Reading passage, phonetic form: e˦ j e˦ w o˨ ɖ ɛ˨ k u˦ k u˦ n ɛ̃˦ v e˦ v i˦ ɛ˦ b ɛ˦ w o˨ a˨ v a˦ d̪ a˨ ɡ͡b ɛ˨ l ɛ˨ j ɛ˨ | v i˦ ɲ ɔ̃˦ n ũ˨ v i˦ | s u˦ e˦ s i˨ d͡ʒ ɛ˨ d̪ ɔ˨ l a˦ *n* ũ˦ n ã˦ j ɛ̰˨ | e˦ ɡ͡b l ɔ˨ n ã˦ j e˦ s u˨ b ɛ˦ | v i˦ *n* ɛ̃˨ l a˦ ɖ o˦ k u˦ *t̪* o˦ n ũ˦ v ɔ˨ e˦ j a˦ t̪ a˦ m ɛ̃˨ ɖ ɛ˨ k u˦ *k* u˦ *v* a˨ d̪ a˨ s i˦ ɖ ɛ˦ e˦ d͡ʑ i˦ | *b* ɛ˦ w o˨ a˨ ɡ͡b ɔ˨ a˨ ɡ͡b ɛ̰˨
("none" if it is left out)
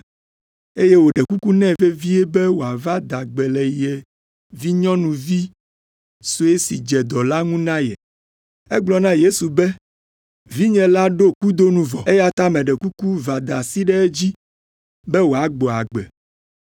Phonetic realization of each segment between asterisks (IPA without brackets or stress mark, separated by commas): ŋ, ɲ, d̪, k, v, b